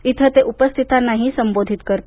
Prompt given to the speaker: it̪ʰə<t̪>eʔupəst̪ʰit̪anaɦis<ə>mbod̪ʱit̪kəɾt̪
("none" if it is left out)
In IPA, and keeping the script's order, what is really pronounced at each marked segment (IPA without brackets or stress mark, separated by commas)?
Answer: t̪, ə